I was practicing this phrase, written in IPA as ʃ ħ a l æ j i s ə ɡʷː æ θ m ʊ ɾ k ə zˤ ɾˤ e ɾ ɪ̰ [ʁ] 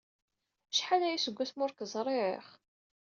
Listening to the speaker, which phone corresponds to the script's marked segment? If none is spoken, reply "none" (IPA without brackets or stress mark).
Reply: χ